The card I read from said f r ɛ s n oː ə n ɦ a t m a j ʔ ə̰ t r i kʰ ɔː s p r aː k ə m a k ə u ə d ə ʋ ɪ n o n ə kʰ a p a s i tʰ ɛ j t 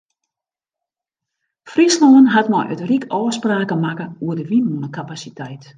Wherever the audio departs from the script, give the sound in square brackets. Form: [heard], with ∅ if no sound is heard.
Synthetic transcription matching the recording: f r [i] s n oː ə n ɦ a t m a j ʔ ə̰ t r i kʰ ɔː s p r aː k ə m a k ə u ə d ə ʋ [i] n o n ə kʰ a p a s i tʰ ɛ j t